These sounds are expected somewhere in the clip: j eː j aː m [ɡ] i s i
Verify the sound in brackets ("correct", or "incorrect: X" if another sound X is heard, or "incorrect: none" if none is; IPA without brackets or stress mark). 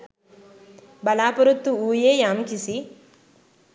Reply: incorrect: k